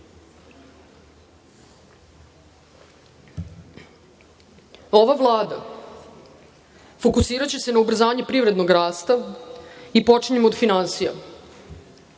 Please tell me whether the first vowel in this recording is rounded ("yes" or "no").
yes